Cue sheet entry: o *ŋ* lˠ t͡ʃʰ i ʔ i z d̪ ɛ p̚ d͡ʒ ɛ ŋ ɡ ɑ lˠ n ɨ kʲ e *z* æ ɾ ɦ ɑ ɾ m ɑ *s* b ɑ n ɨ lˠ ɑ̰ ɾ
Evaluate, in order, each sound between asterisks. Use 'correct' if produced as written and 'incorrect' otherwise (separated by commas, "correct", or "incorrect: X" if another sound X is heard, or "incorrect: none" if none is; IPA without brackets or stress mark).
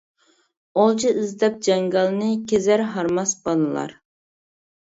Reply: incorrect: none, correct, correct